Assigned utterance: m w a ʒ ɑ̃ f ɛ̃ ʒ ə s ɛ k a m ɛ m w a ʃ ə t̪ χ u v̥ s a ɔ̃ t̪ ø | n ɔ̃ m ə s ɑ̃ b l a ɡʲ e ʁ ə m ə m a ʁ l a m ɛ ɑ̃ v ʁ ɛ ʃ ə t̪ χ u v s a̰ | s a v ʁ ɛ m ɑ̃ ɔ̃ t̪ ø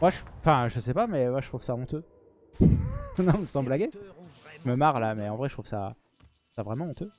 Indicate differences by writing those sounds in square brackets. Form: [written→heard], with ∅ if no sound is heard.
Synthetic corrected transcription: m w a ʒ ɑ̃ f ɛ̃ ʒ ə s ɛ [k→p] a m ɛ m w a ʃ ə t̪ χ u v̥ s a ɔ̃ t̪ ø | n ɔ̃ m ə s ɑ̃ b l a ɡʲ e [ʁ→ʒ] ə m ə m a ʁ l a m ɛ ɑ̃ v ʁ ɛ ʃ ə t̪ χ u v s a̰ | s a v ʁ ɛ m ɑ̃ ɔ̃ t̪ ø